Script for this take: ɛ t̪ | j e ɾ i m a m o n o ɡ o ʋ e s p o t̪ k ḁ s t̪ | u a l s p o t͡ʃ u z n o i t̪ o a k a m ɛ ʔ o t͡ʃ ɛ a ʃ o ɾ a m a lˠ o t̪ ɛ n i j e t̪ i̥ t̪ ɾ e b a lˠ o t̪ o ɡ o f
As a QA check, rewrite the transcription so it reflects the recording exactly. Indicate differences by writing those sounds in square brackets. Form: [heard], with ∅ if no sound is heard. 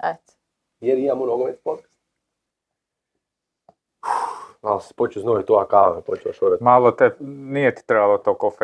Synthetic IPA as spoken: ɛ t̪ | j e ɾ i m a m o n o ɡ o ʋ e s p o t̪ k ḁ s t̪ | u a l s p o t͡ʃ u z n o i t̪ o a k a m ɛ [p] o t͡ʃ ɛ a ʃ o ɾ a m a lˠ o t̪ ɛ n i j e t̪ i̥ t̪ ɾ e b a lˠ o t̪ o [k] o f